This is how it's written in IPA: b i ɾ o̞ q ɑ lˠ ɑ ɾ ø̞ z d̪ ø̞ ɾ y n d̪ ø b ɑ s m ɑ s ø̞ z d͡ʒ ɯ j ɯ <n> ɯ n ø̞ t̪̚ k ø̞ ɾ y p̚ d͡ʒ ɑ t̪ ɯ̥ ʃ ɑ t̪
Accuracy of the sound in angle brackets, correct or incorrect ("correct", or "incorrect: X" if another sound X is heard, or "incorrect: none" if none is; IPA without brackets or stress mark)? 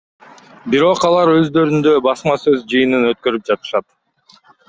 correct